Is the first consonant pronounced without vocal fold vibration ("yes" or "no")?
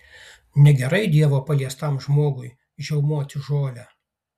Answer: no